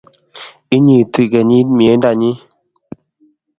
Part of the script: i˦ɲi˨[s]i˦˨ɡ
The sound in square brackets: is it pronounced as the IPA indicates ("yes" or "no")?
no